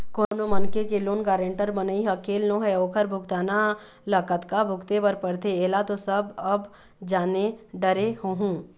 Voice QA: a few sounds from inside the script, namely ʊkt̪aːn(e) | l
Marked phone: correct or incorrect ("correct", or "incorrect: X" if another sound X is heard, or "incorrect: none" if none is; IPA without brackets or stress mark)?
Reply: incorrect: a